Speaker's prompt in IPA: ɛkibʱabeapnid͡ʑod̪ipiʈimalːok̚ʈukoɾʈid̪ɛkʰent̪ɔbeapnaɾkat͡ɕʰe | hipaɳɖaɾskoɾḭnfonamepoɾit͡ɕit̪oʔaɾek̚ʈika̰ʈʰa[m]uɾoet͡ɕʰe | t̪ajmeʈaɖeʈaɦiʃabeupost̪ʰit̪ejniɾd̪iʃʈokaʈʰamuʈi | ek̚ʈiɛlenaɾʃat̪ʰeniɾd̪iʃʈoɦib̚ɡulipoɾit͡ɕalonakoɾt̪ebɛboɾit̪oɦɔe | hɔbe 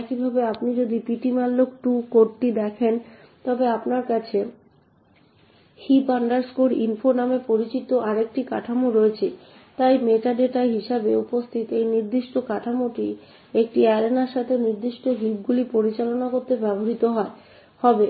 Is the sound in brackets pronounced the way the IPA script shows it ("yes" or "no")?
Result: yes